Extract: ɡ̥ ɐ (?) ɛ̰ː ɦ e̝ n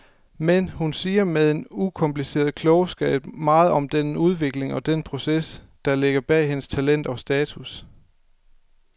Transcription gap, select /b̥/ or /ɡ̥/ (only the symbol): b̥